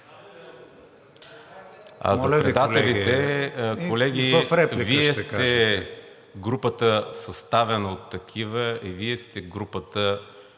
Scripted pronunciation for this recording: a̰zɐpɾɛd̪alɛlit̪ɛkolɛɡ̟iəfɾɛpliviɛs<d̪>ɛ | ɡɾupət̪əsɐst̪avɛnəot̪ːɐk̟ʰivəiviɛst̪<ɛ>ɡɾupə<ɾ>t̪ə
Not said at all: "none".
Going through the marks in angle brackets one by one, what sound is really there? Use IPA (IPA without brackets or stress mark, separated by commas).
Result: t̪, ɛ, none